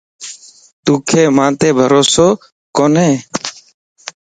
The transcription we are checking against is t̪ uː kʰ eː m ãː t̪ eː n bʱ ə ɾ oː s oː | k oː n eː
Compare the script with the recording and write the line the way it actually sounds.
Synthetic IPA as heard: t̪ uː kʰ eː m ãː t̪ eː bʱ ə ɾ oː s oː | k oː n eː